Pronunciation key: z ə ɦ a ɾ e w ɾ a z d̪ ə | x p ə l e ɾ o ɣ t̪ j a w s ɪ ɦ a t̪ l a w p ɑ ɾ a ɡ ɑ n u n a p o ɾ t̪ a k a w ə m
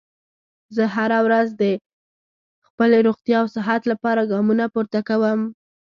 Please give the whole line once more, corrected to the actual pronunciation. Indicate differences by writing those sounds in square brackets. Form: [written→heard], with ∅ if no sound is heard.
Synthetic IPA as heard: z ə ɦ a ɾ [e→a] w ɾ a z d̪ ə | x p ə l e ɾ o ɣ t̪ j [a→ɑ] w s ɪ ɦ a t̪ l a [w→∅] p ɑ ɾ a ɡ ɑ [n→m] u n a p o ɾ t̪ a k a w ə m